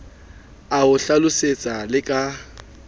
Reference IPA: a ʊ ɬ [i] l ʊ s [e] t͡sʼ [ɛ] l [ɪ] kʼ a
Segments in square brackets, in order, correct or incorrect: incorrect, correct, incorrect, correct

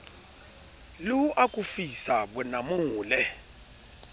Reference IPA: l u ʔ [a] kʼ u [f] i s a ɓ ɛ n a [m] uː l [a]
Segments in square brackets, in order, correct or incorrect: correct, correct, correct, incorrect

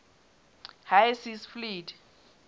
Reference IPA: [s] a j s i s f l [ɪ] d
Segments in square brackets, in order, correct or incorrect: incorrect, incorrect

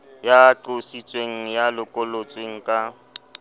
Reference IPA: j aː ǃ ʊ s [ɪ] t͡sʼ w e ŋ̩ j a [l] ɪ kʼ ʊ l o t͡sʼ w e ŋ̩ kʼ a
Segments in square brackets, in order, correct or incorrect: incorrect, correct

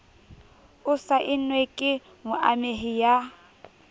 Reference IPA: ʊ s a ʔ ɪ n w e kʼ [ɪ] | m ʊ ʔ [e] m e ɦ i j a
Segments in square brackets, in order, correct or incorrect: correct, incorrect

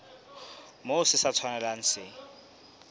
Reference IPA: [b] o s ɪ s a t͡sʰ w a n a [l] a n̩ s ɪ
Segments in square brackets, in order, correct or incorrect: incorrect, correct

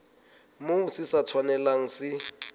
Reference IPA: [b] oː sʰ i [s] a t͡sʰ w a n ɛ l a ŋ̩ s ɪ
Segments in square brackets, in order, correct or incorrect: incorrect, correct

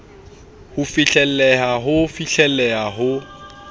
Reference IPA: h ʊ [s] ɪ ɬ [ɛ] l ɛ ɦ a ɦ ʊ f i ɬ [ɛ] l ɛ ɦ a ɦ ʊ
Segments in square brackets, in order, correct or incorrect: incorrect, correct, correct

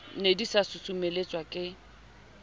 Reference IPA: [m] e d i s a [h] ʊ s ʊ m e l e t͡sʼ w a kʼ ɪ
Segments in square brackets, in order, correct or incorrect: incorrect, incorrect

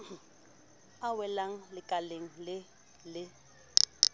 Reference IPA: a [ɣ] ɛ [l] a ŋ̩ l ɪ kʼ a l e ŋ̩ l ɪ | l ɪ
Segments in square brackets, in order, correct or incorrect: incorrect, correct

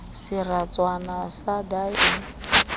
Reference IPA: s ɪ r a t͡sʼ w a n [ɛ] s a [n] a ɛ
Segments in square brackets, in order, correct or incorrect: incorrect, incorrect

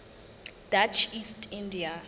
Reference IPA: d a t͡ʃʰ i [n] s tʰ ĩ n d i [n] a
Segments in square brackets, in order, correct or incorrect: incorrect, incorrect

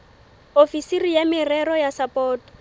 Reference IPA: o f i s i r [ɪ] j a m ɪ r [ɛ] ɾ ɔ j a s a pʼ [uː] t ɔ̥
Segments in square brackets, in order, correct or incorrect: incorrect, correct, incorrect

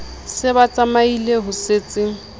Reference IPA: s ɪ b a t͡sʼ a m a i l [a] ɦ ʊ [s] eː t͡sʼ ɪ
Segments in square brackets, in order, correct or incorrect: incorrect, correct

